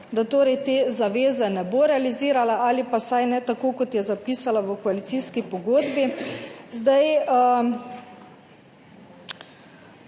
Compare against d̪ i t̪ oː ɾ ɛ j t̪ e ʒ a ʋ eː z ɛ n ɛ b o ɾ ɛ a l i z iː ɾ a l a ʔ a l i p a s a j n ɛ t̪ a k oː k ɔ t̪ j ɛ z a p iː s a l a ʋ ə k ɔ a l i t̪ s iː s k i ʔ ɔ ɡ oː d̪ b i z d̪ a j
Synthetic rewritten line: d̪ a t̪ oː ɾ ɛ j t̪ e z a ʋ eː z ɛ n ɛ b o ɾ ɛ a l i z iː ɾ a l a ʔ a l i p a s a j n ɛ t̪ a k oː k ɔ t̪ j ɛ z a p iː s a l a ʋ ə k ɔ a l i t̪ s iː s k i p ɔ ɡ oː d̪ b i z d̪ a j